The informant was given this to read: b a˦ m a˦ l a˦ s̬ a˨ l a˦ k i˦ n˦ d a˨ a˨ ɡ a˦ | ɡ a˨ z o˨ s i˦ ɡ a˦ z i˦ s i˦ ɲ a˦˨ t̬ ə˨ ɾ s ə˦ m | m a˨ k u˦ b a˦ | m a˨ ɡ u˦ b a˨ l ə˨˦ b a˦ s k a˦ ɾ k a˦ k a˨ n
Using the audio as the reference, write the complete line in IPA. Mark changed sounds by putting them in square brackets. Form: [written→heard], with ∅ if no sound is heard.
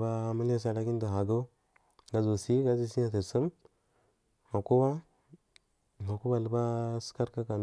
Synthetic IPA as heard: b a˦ m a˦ l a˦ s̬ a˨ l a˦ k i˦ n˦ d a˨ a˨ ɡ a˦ | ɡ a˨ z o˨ s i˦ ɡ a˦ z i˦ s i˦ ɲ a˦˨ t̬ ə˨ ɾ s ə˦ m | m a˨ k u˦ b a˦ | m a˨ [ɡ→k] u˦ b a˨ l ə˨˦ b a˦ s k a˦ ɾ k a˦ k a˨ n